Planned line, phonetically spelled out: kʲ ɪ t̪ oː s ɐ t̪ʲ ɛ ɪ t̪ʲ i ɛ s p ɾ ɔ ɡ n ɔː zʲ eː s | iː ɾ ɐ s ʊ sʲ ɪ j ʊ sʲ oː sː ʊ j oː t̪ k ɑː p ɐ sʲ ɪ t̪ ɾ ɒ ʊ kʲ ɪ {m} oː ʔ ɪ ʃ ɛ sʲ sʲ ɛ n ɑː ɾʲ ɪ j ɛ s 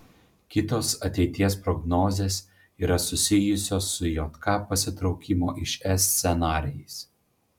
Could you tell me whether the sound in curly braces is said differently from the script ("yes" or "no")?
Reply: no